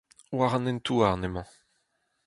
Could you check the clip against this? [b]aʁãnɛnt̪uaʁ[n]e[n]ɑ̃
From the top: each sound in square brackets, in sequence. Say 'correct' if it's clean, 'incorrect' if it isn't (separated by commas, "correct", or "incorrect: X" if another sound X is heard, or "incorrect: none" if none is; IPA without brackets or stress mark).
incorrect: w, correct, incorrect: m